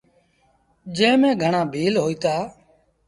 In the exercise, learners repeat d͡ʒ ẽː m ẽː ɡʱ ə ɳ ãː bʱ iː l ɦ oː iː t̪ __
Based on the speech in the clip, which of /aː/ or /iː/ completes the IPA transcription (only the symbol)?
aː